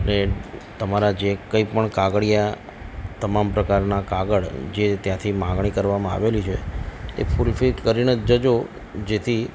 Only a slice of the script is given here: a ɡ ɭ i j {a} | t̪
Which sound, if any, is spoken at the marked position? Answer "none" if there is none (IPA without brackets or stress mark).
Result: a